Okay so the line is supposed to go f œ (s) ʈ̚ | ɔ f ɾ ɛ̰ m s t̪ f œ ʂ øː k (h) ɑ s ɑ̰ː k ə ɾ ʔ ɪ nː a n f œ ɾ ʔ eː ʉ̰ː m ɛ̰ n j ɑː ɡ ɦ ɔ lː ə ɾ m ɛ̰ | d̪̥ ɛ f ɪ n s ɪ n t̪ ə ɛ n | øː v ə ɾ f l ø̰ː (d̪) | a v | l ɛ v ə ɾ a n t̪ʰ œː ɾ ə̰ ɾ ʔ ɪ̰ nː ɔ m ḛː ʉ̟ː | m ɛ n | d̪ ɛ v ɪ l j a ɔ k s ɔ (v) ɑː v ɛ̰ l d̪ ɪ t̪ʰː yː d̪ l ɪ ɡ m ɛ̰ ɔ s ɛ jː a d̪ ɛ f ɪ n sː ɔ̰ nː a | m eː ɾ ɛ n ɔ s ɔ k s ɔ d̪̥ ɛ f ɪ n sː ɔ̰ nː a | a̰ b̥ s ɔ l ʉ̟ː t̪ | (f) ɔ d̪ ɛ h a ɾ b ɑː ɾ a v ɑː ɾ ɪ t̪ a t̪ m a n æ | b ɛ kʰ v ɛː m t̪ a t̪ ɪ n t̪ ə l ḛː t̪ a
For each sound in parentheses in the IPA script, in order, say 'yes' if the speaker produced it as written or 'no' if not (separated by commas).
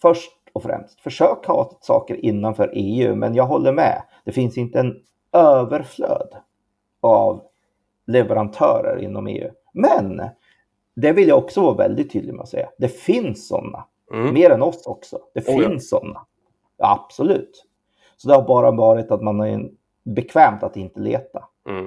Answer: no, yes, yes, yes, no